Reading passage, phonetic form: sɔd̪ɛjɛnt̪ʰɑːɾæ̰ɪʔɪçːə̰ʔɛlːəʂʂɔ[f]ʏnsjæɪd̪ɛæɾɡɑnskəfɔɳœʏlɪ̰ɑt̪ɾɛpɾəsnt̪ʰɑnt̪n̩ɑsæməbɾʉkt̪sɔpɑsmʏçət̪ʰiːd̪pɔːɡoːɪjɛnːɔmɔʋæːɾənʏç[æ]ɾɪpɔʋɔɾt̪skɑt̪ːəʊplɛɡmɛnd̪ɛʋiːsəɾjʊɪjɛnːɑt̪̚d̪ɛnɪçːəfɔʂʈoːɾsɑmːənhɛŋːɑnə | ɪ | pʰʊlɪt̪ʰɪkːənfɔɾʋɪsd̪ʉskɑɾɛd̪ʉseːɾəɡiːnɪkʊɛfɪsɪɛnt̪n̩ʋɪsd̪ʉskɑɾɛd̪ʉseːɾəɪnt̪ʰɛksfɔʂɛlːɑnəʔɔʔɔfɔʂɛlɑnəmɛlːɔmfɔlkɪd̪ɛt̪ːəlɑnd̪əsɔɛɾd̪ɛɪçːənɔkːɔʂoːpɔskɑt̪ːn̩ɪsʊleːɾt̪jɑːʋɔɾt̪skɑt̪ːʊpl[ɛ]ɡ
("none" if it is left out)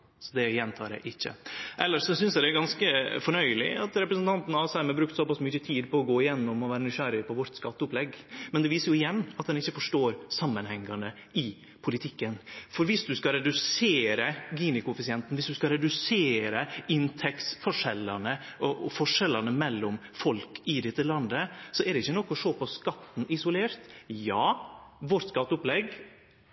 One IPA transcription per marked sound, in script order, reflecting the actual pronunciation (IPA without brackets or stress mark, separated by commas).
s, æ, ɛ